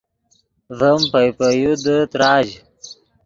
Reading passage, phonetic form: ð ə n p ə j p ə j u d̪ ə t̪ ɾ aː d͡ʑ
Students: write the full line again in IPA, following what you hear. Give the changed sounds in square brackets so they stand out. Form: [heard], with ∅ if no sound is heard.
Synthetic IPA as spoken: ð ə [m] p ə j p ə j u d̪ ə t̪ ɾ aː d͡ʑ